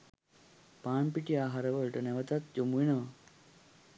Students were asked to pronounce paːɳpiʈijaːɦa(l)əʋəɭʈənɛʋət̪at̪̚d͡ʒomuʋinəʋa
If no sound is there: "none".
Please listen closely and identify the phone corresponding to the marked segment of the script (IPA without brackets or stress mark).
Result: ɾ